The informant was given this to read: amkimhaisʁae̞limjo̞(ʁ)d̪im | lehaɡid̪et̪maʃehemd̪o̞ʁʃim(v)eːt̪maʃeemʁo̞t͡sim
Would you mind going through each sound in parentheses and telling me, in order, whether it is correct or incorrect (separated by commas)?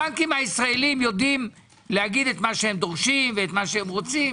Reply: incorrect, correct